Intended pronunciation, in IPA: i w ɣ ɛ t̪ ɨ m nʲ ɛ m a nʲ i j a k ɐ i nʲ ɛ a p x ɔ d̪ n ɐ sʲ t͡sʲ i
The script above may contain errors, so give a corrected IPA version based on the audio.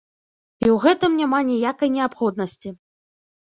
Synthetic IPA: i w ɣ ɛ t̪ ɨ m nʲ a m a nʲ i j a k ɐ j nʲ ɛ a p x ɔ d̪ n ɐ sʲ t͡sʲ i